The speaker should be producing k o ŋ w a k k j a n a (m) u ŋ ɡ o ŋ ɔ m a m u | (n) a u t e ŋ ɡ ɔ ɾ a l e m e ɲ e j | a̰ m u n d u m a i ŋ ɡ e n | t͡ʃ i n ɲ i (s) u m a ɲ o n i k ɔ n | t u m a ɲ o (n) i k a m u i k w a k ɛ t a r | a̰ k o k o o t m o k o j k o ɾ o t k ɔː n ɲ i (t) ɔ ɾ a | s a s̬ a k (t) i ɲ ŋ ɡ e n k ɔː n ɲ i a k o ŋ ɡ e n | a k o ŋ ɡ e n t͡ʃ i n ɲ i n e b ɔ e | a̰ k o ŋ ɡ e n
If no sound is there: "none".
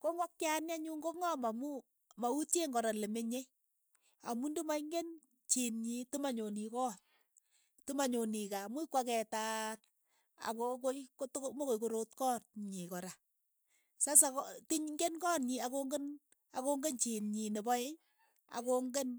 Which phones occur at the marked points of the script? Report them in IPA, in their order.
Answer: ɲ, m, t, n, k, t

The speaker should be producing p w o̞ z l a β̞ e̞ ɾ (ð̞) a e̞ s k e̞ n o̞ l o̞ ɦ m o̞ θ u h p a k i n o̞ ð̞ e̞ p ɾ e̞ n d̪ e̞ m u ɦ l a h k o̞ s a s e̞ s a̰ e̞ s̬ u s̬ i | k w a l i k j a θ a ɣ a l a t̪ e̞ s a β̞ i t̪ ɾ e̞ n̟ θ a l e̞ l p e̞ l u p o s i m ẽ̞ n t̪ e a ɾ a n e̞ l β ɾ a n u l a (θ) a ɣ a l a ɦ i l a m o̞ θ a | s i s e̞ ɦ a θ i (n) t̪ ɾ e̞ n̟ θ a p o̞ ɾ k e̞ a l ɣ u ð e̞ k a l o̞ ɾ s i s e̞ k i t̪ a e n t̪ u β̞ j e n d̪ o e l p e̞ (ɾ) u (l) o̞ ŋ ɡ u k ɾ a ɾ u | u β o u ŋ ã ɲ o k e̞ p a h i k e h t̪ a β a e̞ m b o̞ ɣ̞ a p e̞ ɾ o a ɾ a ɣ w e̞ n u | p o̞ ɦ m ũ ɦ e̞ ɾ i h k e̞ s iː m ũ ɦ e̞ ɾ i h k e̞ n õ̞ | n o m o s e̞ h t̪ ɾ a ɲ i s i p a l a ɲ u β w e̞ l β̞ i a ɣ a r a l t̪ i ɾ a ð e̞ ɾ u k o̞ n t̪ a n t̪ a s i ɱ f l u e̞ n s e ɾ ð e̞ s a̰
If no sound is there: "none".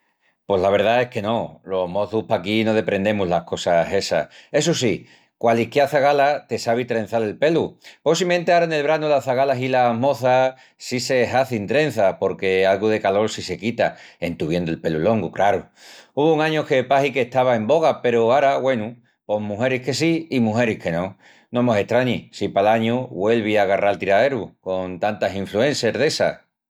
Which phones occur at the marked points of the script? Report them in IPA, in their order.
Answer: ð̞, θ, n, l, l

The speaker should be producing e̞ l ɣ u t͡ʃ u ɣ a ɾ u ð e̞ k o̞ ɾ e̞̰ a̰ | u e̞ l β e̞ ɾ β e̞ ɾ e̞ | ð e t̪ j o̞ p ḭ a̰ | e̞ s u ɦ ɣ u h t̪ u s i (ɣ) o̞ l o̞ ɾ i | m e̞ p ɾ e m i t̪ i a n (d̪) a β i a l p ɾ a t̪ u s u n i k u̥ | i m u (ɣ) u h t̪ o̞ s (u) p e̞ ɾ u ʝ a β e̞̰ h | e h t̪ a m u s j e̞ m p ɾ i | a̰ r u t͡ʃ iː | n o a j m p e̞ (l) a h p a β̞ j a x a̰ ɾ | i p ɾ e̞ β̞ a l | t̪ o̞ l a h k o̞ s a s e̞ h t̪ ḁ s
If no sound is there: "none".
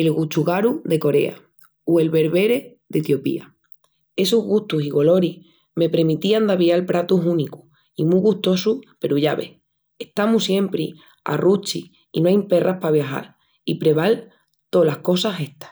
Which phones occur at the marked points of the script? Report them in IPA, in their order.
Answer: ɣ, d̪, ɣ, u, r

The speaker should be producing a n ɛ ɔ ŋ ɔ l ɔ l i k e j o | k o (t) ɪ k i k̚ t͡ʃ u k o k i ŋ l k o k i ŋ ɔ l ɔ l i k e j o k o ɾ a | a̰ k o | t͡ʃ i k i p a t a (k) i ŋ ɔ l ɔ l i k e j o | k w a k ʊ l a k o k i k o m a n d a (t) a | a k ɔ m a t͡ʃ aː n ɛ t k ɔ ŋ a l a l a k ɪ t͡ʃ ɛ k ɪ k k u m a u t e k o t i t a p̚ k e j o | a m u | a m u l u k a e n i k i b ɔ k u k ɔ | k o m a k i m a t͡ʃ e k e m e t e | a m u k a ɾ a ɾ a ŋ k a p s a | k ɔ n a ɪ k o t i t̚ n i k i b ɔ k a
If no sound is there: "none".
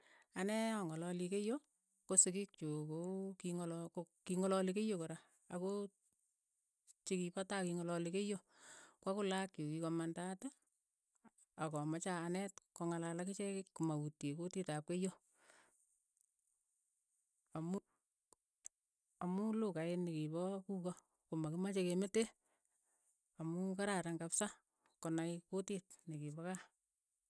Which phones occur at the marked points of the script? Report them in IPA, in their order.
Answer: s, k, t

